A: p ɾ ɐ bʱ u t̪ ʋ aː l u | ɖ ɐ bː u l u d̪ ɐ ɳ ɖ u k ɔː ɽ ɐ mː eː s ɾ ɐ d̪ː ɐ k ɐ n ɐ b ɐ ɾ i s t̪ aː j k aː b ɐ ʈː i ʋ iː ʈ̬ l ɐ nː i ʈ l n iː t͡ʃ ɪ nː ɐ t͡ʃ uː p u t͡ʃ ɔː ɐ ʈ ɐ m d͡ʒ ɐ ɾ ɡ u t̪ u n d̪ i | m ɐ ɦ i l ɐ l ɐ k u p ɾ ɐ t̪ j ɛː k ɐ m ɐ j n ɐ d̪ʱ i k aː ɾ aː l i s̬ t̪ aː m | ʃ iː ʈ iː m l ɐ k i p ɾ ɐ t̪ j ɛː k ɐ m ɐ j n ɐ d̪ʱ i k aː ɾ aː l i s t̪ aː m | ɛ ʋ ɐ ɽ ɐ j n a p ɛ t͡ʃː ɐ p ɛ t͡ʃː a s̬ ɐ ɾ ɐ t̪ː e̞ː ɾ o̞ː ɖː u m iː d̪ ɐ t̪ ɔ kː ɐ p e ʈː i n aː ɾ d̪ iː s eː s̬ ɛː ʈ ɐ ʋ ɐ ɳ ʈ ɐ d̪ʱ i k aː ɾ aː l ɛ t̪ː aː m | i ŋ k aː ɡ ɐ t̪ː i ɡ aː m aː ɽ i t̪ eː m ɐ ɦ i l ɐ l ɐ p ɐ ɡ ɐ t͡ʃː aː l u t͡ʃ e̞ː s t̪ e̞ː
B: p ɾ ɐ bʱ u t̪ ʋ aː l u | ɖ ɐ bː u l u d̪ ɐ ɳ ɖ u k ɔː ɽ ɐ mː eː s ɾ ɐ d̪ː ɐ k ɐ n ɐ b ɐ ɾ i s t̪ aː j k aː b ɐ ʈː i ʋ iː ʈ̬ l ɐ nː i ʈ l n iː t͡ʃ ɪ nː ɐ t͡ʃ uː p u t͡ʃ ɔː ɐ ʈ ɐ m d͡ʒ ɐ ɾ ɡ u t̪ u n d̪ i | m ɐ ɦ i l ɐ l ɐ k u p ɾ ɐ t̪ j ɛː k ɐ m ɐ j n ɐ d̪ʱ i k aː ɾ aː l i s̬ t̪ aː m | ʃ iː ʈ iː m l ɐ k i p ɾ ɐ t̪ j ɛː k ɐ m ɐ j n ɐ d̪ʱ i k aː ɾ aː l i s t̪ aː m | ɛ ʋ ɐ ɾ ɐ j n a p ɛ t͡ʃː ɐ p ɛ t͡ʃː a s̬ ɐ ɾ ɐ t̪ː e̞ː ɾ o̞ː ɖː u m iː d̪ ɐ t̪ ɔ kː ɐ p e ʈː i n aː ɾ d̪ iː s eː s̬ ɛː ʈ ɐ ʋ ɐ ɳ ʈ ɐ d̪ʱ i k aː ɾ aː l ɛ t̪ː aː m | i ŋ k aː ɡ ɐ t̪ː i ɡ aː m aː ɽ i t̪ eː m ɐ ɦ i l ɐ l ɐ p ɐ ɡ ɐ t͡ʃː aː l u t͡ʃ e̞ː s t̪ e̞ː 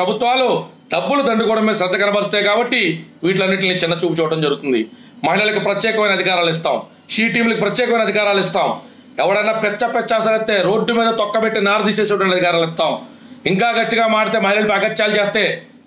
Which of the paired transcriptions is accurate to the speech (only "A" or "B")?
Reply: A